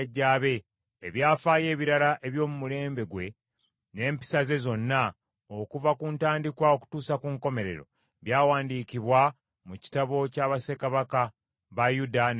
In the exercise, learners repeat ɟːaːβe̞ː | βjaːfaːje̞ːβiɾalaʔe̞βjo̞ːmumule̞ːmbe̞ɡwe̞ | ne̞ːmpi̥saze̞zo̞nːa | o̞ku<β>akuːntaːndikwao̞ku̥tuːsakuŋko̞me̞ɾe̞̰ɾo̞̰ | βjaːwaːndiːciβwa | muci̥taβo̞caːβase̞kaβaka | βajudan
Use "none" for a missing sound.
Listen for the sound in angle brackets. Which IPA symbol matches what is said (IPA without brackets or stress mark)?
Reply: v